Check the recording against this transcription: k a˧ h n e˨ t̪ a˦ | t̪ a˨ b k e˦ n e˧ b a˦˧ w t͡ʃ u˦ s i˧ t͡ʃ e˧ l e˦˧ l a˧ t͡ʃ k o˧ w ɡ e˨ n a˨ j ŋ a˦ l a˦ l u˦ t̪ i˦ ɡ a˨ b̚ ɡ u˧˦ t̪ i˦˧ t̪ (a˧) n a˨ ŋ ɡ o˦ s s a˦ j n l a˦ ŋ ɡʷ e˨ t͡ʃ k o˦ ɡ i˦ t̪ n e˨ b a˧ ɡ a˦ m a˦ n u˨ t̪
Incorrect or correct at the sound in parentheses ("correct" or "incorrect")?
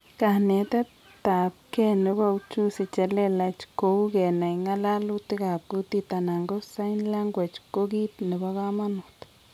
correct